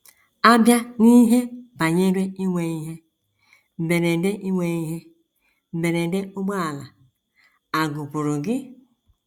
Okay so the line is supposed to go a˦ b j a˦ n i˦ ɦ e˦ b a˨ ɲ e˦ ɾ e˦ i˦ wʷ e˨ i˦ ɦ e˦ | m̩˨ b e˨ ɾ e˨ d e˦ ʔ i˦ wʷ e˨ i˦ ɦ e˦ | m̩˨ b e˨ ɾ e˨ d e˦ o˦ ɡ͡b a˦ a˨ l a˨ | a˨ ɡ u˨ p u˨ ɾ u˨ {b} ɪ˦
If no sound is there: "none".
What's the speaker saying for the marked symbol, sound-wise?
ɡ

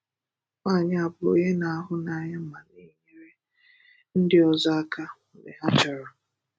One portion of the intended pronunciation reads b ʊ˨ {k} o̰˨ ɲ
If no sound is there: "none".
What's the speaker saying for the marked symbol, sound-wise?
none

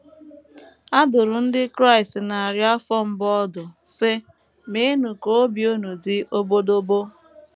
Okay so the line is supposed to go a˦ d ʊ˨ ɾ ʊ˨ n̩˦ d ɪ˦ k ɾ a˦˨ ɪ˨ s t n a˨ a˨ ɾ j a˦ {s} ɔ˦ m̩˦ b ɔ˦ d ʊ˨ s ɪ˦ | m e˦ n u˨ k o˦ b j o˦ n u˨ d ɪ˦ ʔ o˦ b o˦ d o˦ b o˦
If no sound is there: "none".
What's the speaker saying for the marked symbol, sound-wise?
f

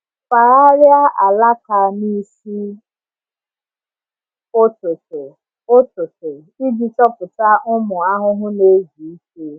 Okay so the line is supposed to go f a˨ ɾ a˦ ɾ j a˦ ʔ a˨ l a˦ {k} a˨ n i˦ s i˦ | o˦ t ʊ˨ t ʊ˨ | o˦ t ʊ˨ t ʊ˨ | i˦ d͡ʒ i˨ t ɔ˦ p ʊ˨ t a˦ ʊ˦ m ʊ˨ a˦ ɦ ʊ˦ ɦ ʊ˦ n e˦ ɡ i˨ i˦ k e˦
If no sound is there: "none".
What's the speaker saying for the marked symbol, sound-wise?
k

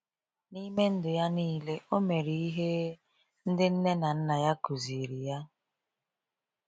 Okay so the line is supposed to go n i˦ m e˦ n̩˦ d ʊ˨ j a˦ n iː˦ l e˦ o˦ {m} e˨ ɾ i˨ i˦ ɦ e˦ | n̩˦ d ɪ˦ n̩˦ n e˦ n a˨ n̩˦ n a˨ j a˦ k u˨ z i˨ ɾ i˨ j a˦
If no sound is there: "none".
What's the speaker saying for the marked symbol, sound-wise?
m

